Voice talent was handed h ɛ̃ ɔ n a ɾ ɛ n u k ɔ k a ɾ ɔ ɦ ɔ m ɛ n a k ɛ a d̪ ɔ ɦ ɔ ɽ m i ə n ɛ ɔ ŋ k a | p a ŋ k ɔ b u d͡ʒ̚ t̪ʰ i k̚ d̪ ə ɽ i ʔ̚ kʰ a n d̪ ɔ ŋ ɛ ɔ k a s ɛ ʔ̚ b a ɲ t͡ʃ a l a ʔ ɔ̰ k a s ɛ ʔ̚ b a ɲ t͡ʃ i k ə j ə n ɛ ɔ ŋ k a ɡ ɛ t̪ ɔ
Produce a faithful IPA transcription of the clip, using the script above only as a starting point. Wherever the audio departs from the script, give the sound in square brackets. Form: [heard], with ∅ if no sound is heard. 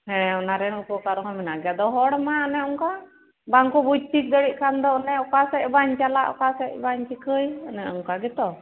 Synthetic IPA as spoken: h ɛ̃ ɔ n a ɾ ɛ n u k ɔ k a ɾ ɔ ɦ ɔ m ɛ n a [ɡ] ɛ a d̪ ɔ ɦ ɔ ɽ m [a] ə n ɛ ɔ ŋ k a | [b] a ŋ k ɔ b u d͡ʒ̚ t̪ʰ i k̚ d̪ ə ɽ i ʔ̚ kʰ a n d̪ ɔ [n] ɛ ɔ k a s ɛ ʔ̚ b a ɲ t͡ʃ a l a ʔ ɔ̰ k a s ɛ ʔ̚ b a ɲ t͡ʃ i k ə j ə n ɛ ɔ ŋ k a ɡ ɛ t̪ ɔ

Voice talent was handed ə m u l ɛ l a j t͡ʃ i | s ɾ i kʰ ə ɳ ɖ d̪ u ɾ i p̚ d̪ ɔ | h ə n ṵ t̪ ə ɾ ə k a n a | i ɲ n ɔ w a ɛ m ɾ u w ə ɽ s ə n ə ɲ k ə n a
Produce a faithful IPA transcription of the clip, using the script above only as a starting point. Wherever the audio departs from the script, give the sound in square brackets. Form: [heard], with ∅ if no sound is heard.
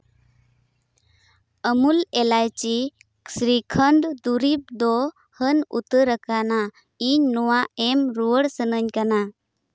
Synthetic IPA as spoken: ə m u l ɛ l a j t͡ʃ i | s ɾ i kʰ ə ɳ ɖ d̪ u ɾ i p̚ d̪ ɔ | h ə n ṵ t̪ ə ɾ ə k a n a | i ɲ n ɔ w a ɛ m ɾ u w ə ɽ s ə n ə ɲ k [a] n a

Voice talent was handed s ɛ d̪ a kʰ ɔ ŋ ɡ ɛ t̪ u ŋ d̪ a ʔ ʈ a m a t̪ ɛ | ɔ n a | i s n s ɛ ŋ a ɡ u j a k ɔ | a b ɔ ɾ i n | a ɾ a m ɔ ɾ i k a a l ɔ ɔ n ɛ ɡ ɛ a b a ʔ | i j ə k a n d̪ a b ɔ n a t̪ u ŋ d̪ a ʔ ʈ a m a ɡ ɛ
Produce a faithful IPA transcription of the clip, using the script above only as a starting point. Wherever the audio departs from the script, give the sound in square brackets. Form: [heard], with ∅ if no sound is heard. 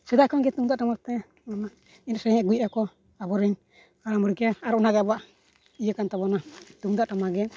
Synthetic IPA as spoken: s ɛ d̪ a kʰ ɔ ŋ ɡ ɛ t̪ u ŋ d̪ a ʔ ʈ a m a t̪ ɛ | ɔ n a | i [∅] n s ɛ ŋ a ɡ u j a k ɔ | a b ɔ ɾ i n | a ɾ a m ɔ ɾ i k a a [ɾ] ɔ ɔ n [a] ɡ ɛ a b a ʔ | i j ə k a n [t̪] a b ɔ n a t̪ u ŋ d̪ a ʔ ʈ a m a ɡ ɛ

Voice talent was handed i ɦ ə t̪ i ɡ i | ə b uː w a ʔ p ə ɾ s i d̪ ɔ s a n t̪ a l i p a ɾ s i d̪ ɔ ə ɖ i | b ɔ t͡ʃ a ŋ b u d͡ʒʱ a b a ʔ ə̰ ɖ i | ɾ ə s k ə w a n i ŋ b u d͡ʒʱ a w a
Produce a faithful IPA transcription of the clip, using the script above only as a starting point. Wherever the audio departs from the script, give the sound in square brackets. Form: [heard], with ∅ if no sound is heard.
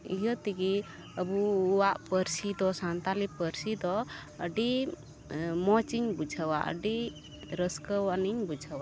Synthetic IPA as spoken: i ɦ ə t̪ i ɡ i | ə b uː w a ʔ p ə ɾ s i d̪ ɔ s a n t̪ a l i p [ə] ɾ s i d̪ ɔ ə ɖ i | [m] ɔ t͡ʃ [i] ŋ b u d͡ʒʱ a [w] a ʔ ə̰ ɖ i | ɾ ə s k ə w a n i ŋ b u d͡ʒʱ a w a

